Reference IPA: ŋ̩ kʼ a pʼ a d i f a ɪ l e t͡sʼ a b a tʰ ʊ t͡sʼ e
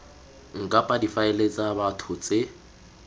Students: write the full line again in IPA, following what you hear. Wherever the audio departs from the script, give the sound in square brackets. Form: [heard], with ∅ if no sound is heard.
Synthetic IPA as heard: ŋ̩ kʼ a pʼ a d i f a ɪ l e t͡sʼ a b a tʰ ʊ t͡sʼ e